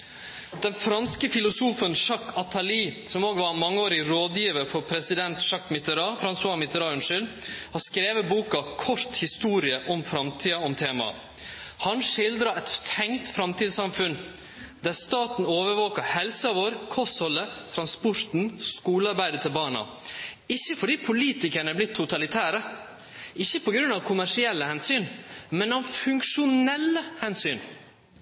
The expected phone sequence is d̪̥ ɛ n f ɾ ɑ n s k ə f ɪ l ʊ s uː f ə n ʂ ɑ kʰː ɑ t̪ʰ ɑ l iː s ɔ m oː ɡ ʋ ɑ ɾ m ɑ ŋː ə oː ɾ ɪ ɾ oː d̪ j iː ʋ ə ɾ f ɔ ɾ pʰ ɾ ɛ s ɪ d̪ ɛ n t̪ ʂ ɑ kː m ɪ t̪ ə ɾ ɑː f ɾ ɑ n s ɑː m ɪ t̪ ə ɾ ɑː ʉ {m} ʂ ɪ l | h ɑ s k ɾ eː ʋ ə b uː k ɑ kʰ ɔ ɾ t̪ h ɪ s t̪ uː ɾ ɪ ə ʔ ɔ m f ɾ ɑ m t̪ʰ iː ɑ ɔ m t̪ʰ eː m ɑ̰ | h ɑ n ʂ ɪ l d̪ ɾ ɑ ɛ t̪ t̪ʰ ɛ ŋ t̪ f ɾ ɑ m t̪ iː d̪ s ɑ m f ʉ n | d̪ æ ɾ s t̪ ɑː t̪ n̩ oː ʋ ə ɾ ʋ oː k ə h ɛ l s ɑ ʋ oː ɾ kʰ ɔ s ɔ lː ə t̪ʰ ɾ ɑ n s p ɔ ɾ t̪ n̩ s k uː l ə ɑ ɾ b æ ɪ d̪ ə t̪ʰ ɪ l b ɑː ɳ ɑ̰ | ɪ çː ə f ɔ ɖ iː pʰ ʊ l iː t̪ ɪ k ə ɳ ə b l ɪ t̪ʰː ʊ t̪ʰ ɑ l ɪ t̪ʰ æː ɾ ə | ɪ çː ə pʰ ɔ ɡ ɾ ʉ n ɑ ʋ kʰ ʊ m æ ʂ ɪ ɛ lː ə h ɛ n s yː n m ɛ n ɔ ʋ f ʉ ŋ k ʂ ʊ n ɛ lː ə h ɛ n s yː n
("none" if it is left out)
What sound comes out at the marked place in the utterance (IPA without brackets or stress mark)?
n